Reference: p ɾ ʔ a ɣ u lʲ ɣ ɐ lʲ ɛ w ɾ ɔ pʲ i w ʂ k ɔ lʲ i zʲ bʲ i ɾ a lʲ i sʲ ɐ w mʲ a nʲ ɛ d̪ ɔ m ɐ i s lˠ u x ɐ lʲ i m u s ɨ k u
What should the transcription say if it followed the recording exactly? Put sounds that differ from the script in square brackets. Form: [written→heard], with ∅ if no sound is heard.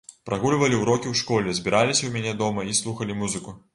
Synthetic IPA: p ɾ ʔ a ɣ u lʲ [ɣ→v] ɐ lʲ [ɛ→i] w ɾ ɔ [pʲ→kʲ] i w ʂ k ɔ lʲ [i→ɛ] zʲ bʲ i ɾ a lʲ i sʲ ɐ w mʲ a nʲ ɛ d̪ ɔ m ɐ i s lˠ u x ɐ lʲ i m u [s→z] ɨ k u